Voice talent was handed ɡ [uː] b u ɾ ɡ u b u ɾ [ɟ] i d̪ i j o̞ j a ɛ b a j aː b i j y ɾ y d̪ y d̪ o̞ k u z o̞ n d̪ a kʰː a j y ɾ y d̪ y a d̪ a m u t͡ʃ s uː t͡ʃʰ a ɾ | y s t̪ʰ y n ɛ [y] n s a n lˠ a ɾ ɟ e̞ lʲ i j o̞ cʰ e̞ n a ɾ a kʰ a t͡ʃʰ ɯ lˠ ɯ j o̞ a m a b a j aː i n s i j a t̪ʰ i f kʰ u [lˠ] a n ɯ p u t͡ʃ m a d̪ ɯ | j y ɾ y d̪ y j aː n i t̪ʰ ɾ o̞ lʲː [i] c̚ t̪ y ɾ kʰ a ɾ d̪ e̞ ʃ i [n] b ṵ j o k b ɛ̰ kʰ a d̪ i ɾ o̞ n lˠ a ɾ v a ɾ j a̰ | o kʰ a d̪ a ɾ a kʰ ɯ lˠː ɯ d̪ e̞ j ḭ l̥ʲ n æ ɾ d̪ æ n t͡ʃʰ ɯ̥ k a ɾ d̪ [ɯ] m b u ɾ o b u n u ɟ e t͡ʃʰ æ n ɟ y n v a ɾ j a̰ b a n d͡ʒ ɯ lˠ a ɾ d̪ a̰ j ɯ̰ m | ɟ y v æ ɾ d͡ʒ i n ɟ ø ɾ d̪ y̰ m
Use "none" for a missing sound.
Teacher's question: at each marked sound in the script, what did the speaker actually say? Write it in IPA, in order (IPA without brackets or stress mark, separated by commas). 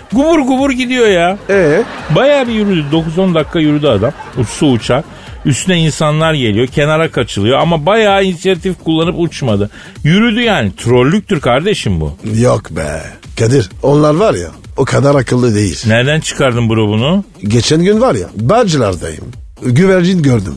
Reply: u, ɟ, i, lˠː, y, m, ɯ